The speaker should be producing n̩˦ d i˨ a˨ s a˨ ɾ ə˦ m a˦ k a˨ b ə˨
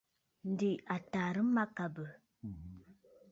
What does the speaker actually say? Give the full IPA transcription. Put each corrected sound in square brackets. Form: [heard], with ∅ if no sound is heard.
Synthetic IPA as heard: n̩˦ d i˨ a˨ [t] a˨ ɾ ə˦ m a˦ k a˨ b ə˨